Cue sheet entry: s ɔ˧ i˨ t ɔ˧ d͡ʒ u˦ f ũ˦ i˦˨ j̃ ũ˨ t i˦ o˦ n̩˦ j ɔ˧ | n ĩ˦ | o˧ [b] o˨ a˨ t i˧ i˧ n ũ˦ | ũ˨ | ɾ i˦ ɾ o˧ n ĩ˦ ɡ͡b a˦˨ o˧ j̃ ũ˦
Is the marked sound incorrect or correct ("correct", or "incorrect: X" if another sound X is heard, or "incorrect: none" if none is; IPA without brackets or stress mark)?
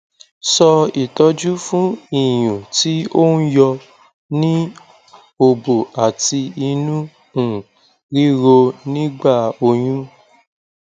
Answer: correct